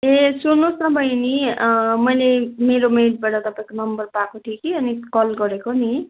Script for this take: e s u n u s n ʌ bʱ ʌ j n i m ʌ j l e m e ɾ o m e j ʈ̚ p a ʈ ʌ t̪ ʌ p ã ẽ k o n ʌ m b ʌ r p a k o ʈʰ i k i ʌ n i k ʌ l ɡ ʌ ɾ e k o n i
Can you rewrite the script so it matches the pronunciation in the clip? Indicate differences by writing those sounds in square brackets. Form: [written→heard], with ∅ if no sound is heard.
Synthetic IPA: e s u n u s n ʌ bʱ ʌ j n i m ʌ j l e m e ɾ o m e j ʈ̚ [p→b] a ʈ ʌ t̪ ʌ p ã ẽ k o n ʌ m b ʌ r p a k o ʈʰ i k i ʌ n i k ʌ l ɡ ʌ ɾ e k o n i